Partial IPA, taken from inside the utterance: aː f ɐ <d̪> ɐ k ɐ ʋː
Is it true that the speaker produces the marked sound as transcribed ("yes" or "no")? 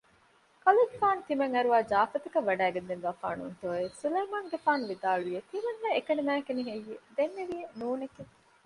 no